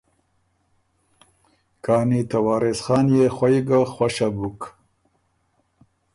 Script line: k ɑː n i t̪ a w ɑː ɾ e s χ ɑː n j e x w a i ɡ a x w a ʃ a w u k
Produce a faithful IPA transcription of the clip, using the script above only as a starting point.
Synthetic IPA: k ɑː n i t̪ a w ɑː ɾ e s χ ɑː n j e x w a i ɡ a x w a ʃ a b u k